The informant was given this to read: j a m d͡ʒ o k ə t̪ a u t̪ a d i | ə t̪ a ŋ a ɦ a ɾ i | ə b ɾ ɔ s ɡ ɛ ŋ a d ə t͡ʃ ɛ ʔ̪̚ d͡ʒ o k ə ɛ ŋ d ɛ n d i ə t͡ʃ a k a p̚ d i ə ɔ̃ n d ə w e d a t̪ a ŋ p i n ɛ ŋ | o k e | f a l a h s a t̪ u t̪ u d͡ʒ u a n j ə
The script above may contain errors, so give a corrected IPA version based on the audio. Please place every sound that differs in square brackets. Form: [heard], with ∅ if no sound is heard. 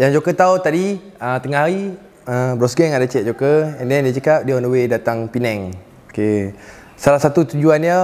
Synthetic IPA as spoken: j a [ŋ] d͡ʒ o k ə t̪ a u t̪ a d i | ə t̪ [ə] ŋ a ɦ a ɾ i | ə b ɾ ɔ s ɡ ɛ ŋ a d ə t͡ʃ ɛ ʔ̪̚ d͡ʒ o k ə ɛ [n] d ɛ n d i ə t͡ʃ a k a p̚ d i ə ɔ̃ n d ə w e d a t̪ a ŋ p i n ɛ ŋ | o k e | [s] a l a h s a t̪ u t̪ u d͡ʒ u a n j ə